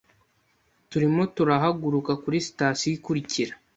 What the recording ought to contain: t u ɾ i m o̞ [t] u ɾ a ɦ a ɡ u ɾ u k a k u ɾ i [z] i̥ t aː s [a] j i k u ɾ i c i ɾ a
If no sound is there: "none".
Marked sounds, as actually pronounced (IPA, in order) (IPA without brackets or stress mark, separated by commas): t, s, i